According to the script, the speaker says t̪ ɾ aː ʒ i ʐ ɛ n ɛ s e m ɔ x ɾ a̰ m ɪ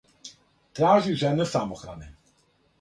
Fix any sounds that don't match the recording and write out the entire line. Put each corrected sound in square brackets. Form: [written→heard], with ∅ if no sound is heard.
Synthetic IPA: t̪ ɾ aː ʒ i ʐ ɛ n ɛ s [e→a] m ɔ x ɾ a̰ [m→n] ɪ